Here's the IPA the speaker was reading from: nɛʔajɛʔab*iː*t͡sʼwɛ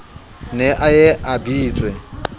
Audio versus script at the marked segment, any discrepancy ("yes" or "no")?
no